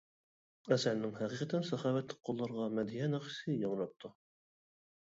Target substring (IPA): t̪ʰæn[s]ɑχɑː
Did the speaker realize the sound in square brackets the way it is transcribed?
yes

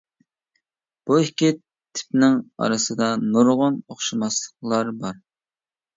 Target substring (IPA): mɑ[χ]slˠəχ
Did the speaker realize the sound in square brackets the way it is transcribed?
no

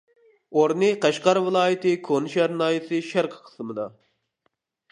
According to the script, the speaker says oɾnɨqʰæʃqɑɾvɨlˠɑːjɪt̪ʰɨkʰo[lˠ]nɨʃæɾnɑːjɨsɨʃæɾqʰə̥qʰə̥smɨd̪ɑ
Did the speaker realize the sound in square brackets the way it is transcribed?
no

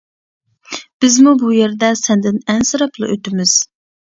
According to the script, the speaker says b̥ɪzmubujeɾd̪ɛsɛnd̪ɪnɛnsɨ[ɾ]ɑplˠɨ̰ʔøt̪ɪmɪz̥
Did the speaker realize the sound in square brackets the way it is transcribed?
yes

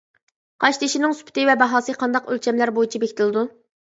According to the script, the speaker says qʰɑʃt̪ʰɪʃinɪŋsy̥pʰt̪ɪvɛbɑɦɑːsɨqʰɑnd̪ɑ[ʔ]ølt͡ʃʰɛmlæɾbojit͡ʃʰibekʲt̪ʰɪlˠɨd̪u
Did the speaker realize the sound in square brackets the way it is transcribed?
no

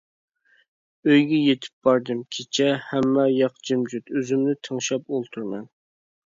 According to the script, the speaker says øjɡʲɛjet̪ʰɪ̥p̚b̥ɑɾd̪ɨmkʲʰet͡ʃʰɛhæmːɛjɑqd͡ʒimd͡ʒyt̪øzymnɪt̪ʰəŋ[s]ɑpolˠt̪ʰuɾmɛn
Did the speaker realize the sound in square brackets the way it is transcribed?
no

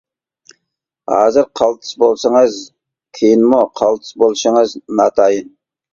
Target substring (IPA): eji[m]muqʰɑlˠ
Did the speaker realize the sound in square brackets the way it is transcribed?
no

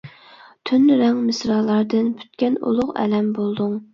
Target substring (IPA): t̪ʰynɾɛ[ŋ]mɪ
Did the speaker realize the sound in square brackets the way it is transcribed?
yes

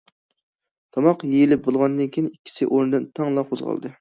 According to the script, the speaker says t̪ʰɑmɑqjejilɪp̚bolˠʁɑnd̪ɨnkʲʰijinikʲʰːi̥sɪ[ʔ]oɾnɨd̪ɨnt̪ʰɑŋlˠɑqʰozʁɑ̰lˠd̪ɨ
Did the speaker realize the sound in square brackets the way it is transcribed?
yes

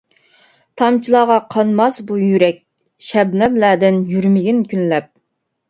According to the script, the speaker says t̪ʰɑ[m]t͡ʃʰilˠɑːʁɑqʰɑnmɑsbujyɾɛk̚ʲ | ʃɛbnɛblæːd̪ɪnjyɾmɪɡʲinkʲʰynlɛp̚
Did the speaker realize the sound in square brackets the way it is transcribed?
yes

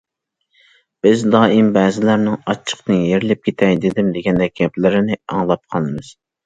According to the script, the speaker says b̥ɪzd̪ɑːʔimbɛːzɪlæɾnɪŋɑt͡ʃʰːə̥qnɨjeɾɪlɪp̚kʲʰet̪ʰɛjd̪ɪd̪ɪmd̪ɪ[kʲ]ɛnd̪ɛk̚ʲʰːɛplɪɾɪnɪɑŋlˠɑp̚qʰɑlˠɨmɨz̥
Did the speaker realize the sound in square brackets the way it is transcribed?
no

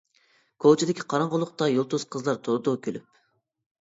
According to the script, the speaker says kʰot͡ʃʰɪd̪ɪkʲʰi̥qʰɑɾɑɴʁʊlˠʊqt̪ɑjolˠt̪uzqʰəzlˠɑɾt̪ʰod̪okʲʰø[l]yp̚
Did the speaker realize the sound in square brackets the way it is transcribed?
yes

